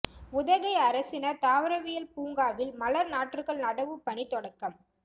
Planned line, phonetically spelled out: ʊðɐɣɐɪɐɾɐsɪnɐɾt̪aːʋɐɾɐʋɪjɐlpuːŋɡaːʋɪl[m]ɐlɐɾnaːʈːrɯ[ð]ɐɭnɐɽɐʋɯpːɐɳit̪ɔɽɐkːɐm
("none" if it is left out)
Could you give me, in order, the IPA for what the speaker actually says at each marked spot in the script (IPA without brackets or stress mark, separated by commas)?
m, ɣ